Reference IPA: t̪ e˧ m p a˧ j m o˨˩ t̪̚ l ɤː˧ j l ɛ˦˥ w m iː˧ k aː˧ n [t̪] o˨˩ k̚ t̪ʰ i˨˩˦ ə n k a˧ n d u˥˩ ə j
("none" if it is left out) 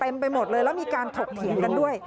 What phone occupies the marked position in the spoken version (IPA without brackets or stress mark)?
t̪ʰ